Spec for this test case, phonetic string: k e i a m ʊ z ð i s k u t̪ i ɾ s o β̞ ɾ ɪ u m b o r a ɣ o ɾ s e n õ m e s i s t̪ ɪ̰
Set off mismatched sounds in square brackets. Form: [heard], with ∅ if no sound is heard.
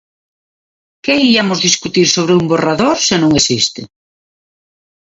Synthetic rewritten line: k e i a m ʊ z ð i s k u t̪ i ɾ s o β̞ ɾ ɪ u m b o r a [ð] o ɾ s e n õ [ŋ] e s i s t̪ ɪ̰